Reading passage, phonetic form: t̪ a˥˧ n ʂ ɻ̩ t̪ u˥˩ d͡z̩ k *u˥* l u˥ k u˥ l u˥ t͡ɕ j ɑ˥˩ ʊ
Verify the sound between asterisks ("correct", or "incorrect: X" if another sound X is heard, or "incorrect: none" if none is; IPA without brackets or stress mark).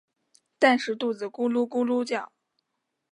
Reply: correct